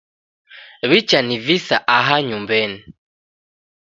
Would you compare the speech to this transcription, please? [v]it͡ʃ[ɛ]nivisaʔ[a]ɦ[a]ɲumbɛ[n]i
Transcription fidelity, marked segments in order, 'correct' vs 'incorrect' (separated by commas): incorrect, incorrect, correct, correct, correct